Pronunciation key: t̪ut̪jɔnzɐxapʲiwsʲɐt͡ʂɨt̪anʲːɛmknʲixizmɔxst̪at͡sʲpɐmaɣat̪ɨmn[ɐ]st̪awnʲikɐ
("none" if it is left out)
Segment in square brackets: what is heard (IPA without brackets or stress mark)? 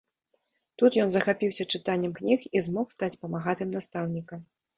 a